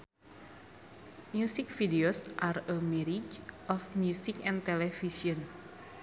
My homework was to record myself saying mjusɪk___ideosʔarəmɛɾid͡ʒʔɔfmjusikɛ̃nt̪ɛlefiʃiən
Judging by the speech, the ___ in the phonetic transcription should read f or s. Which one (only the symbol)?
f